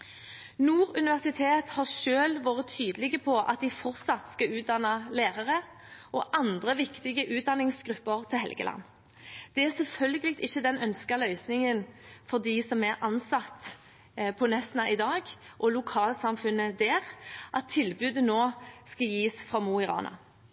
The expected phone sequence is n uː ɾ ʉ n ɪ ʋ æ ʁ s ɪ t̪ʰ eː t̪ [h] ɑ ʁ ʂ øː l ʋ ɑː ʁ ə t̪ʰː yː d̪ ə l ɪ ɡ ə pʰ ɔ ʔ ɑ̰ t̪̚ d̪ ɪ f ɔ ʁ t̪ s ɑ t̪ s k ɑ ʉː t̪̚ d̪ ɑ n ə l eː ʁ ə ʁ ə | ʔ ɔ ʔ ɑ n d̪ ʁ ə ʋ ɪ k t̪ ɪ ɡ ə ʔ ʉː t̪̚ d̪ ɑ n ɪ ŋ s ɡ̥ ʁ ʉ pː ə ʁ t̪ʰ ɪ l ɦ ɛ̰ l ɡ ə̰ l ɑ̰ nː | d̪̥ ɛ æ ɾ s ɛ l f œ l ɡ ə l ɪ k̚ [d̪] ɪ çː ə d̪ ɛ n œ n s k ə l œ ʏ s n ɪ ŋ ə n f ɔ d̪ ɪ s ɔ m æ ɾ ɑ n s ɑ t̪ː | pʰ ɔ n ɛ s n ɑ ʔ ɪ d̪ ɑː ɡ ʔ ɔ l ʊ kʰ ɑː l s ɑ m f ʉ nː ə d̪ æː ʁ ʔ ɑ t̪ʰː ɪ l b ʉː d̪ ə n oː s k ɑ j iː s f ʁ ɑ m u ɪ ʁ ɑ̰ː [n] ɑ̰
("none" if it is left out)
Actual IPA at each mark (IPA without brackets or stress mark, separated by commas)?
h, t̪, n